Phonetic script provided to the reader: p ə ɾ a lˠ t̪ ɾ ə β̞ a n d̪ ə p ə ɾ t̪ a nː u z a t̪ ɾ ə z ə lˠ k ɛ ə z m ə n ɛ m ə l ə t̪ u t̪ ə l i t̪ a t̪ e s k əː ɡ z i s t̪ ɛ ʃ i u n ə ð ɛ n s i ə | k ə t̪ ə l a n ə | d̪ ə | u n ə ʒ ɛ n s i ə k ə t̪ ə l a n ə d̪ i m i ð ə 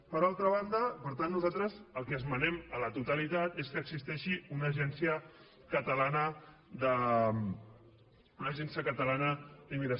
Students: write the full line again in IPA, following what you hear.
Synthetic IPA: p ə ɾ a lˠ t̪ ɾ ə β̞ a n d̪ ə p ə ɾ t̪ a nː u z a t̪ ɾ ə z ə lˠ k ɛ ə z m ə n ɛ m ə l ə t̪ u t̪ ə l i t̪ a t̪ e s k əː ɡ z i s t̪ ɛ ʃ i u n ə ʒ ɛ n s i ə | k ə t̪ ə l a n ə | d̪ ə | u n ə ʒ ɛ n s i ə k ə t̪ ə l a n ə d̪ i m i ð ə